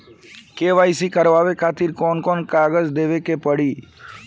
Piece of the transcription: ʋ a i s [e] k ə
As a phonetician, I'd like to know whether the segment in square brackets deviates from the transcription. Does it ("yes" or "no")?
yes